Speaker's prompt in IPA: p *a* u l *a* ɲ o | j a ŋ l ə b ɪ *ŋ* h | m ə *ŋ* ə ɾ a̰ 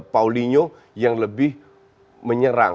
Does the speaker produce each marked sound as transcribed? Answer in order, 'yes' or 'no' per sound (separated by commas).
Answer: yes, no, no, no